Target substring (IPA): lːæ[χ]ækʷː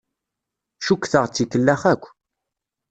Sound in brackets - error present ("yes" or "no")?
no